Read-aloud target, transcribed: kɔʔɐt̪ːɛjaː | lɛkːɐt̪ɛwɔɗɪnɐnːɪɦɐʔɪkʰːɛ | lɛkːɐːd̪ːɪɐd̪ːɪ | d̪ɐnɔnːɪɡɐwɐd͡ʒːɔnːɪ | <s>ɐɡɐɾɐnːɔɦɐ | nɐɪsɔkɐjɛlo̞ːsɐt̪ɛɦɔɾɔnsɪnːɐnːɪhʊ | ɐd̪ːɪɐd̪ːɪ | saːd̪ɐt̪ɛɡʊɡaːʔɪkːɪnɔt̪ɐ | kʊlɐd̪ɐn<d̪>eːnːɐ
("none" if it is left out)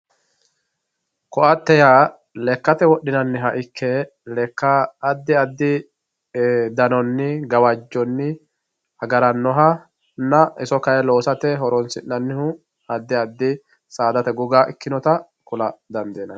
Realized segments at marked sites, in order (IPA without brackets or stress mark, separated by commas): h, d̪